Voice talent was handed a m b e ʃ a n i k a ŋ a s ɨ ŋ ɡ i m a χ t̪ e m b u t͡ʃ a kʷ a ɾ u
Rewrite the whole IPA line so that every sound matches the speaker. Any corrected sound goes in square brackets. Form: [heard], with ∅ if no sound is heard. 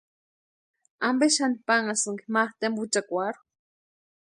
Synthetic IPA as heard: a m b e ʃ a n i [p] a ŋ a s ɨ ŋ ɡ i m a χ t̪ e m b u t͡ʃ a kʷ a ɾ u